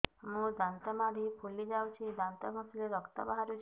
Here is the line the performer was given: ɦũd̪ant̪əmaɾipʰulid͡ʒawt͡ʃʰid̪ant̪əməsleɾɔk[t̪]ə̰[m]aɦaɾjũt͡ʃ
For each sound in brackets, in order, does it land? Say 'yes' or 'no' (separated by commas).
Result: yes, no